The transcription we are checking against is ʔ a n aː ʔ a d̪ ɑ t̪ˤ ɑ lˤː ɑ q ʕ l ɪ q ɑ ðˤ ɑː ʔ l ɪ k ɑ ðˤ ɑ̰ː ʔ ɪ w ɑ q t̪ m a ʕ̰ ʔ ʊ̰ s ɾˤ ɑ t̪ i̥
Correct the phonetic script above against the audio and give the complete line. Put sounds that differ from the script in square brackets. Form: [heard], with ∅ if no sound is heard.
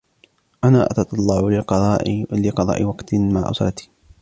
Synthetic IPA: ʔ a n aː ʔ a [t̪] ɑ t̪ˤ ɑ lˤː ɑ [∅] ʕ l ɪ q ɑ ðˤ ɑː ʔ l ɪ [q] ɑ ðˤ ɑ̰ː ʔ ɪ w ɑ q t̪ m a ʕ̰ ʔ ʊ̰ s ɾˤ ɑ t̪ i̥